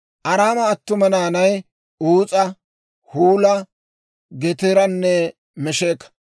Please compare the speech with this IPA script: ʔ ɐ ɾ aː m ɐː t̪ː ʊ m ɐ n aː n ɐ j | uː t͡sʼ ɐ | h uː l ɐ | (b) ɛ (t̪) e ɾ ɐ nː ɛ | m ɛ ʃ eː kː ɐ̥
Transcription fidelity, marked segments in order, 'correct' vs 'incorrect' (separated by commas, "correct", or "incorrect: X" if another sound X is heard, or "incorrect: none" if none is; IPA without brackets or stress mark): incorrect: ɡ, correct